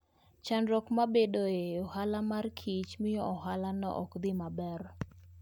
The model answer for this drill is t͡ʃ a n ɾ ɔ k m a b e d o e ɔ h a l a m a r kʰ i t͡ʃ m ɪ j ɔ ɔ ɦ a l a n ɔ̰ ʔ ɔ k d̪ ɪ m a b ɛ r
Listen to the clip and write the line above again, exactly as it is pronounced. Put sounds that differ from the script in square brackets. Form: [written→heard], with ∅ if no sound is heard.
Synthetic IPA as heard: t͡ʃ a n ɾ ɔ k m a b e d o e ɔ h a l a m a r kʰ i t͡ʃ m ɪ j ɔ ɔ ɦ a l a n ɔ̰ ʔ ɔ k d̪ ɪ m a b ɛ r